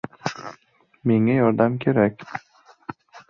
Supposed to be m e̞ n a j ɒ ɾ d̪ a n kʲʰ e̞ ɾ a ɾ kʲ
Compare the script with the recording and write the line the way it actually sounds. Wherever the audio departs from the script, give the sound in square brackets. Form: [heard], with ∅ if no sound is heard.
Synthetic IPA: m e̞ [ŋ] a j ɒ ɾ d̪ a [m] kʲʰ e̞ ɾ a [∅] kʲ